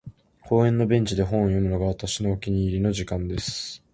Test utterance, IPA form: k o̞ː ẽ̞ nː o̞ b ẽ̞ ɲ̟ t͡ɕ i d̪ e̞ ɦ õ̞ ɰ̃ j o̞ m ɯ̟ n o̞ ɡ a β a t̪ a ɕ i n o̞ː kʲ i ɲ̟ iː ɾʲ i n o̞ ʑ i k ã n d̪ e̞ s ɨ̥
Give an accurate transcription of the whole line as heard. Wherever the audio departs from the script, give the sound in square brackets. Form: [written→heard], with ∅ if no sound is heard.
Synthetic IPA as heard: k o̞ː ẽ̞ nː o̞ b ẽ̞ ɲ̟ t͡ɕ i d̪ e̞ ɦ õ̞ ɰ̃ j o̞ m ɯ̟ n o̞ ɡ a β a t̪ a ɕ i n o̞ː kʲ i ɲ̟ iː ɾʲ i n o̞ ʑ i k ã n d̪ e̞ s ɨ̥